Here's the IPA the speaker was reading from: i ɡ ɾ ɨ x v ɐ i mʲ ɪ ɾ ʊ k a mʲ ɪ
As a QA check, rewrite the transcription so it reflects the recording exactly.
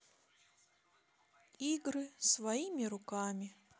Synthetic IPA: i ɡ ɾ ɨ s v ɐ i mʲ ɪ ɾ ʊ k a mʲ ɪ